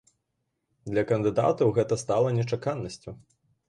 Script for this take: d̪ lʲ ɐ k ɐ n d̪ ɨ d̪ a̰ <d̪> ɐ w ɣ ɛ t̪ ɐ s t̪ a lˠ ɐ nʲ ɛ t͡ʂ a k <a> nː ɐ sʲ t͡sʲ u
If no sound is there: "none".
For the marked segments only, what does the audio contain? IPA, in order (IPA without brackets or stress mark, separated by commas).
t̪, a